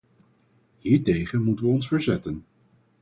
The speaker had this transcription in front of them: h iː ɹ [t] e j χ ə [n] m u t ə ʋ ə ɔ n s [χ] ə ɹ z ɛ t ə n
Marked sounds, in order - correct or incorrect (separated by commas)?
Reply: correct, correct, incorrect